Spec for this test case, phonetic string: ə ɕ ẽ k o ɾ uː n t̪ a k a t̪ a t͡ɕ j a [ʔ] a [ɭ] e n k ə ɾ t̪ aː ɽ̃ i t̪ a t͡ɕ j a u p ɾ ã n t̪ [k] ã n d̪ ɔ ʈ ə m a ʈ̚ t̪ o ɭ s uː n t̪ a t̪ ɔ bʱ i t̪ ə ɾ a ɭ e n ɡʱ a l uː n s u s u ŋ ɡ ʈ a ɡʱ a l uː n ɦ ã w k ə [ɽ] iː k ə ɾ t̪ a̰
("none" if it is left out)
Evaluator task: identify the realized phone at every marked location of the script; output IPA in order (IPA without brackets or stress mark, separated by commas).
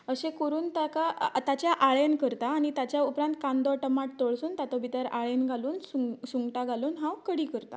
ʔ, ɭ, k, ɽ